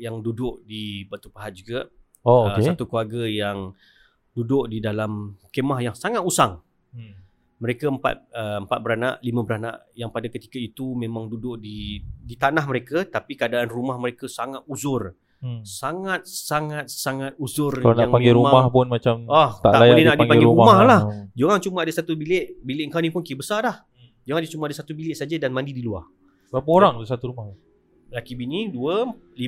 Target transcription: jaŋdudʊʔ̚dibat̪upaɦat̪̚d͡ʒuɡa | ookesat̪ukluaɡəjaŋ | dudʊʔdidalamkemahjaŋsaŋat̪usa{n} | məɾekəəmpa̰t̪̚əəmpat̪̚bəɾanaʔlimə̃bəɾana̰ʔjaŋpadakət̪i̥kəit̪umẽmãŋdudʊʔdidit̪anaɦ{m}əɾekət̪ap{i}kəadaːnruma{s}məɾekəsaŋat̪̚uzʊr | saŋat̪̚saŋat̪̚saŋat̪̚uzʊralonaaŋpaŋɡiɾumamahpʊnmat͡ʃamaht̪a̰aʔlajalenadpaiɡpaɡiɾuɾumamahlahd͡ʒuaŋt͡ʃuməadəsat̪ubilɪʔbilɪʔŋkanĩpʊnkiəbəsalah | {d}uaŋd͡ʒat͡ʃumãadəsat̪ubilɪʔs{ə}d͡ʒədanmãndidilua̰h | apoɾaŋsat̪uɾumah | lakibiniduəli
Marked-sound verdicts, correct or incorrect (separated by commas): incorrect, correct, correct, incorrect, incorrect, incorrect